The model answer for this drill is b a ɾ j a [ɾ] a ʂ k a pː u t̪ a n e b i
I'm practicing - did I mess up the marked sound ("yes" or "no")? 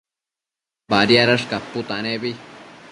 no